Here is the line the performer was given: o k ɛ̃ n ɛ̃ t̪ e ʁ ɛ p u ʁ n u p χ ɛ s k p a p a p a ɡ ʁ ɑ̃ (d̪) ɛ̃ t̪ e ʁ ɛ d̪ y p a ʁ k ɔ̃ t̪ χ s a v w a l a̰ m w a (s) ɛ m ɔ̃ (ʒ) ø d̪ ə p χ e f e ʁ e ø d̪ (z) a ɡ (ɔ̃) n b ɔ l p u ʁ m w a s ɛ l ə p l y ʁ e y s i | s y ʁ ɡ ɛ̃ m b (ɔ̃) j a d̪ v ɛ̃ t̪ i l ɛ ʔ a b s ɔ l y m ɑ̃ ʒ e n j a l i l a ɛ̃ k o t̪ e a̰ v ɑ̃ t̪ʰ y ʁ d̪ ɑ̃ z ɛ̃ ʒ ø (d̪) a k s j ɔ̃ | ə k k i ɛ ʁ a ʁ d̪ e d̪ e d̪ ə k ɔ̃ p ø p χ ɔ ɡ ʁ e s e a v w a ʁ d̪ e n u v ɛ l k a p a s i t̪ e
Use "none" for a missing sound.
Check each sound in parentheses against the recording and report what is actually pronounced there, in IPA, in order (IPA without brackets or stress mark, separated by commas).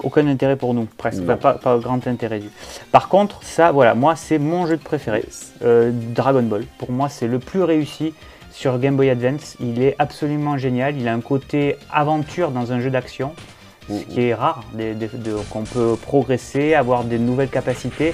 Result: t̪, s, ʒ, ʁ, ɔ, ɔ, d̪